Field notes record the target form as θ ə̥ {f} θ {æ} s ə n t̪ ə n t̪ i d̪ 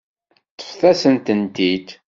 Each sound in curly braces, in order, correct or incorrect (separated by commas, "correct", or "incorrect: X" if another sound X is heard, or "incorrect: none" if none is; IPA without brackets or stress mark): correct, correct